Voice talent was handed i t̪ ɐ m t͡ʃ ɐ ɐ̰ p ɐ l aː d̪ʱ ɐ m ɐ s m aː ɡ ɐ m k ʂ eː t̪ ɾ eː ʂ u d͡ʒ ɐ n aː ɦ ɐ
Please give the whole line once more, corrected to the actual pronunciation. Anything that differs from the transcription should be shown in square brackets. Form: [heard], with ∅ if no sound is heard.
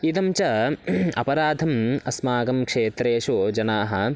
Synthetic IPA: i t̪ ɐ m t͡ʃ ɐ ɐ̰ p ɐ [ɾ] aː d̪ʱ ɐ m ɐ s m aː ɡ ɐ m k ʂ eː t̪ ɾ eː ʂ u d͡ʒ ɐ n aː ɦ ɐ